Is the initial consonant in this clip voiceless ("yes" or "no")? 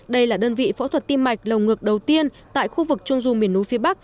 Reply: no